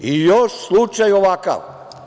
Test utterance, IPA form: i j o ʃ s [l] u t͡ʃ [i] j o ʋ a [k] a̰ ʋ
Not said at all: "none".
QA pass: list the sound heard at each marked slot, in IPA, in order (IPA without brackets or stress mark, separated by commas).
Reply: l, a, k